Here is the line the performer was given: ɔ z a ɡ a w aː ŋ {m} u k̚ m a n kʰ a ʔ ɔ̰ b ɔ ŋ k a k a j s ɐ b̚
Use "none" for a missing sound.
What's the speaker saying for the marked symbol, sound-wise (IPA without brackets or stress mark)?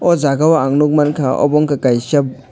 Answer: n